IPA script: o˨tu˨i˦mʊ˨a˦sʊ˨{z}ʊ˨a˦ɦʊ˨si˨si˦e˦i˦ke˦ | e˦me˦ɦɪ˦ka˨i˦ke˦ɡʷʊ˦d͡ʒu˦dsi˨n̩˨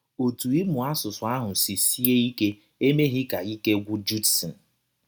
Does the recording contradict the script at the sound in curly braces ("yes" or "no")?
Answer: yes